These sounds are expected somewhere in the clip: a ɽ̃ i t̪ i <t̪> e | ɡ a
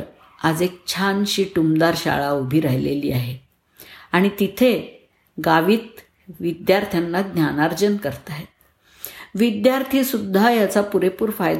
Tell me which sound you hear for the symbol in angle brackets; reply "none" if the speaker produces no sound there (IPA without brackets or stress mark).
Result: t̪ʰ